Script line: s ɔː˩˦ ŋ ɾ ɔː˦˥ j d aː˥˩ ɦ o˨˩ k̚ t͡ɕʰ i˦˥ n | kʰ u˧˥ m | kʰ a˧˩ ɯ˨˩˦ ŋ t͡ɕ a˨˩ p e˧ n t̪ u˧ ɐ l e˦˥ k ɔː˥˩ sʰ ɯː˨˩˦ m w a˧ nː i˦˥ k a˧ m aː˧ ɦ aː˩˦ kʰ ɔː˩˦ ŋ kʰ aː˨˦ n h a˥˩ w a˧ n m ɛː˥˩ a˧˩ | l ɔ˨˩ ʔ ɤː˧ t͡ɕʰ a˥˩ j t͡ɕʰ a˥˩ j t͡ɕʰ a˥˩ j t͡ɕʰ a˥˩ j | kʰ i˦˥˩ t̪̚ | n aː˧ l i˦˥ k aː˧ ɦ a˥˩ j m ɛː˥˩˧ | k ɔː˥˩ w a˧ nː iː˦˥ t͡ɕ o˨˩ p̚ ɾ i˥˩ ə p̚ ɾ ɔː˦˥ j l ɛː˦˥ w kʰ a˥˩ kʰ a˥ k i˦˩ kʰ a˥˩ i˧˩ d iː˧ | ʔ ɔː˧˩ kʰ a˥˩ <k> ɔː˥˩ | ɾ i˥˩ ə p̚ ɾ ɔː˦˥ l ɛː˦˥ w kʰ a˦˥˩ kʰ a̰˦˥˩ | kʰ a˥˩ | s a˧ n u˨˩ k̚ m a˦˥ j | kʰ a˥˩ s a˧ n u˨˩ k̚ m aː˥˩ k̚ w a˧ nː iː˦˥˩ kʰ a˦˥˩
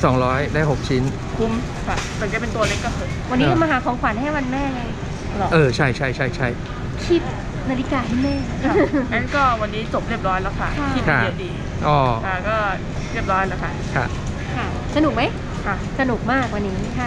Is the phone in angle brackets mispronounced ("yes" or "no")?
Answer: no